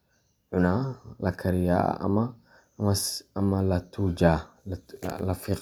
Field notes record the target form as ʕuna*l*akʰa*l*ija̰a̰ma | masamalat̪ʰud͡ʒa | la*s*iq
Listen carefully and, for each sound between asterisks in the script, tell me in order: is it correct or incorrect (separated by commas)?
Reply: correct, incorrect, incorrect